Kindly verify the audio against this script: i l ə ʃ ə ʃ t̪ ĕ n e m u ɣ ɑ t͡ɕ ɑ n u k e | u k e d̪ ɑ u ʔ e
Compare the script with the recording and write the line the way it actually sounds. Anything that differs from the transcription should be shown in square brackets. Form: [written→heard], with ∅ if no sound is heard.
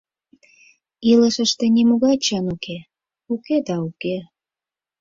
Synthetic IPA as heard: i l ə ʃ ə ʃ t̪ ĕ n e m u ɣ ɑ t͡ɕ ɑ n u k e | u k e d̪ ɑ u [ʔ→k] e